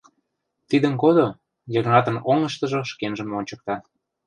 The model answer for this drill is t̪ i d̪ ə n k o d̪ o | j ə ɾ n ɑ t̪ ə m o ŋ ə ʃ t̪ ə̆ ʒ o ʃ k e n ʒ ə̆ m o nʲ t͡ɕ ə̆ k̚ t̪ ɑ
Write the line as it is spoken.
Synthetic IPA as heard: t̪ i d̪ ə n k o d̪ o | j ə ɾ n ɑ t̪ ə n o ŋ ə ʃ t̪ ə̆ ʒ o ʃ k e n ʒ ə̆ m o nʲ t͡ɕ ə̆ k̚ t̪ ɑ